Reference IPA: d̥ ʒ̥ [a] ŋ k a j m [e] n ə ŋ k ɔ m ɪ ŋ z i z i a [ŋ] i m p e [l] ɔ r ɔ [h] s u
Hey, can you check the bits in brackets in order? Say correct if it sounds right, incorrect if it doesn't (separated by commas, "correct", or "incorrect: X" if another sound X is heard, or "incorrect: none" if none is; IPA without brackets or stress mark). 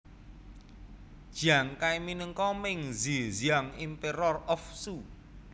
correct, incorrect: i, correct, incorrect: ɾ, incorrect: f